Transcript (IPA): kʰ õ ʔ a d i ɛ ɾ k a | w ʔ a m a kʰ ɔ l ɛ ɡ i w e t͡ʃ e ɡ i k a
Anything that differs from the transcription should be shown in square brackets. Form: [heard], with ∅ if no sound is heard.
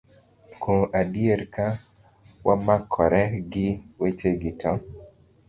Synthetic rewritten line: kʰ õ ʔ a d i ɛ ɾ k a | w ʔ a m a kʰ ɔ [ɾ] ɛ ɡ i w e t͡ʃ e ɡ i k a